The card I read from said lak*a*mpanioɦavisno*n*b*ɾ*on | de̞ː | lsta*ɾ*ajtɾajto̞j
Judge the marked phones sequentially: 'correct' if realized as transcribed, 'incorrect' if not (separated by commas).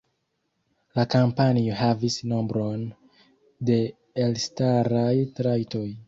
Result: correct, incorrect, correct, correct